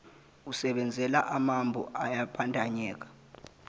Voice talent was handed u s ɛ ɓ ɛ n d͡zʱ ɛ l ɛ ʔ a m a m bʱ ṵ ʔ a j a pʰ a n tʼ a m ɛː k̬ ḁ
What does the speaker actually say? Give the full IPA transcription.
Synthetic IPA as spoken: u s ɛ ɓ ɛ n d͡zʱ ɛ l a ʔ a m a m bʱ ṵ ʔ a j a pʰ a n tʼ a ɲ ɛː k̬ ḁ